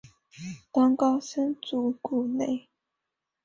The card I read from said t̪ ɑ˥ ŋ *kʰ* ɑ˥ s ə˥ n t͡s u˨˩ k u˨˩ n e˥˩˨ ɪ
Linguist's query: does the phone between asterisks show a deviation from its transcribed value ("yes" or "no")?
yes